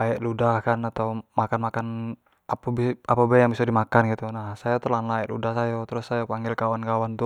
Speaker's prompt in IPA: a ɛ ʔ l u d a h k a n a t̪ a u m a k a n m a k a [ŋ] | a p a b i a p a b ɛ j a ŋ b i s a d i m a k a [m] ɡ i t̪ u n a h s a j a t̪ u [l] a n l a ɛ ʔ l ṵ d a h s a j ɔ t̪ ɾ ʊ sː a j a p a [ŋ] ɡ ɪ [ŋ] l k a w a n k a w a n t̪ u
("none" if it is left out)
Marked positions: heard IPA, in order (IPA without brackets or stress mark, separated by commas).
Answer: n, n, l, ŋ, none